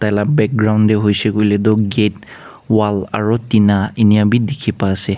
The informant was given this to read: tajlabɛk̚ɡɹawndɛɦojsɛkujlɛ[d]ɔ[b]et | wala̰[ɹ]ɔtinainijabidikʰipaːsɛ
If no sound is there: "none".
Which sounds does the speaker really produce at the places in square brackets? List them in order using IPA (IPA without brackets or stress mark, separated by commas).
d, ɡ, ɹ